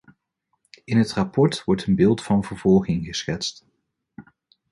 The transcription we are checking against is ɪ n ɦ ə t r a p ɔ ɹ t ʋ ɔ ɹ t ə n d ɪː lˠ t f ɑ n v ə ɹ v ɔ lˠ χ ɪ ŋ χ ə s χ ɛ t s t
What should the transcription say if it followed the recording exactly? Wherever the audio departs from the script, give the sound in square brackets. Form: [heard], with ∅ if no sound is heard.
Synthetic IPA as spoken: ɪ n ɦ ə t r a p ɔ ɹ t ʋ ɔ ɹ t ə n [b] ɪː lˠ t f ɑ n v ə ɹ v ɔ lˠ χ ɪ ŋ χ ə s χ ɛ t s t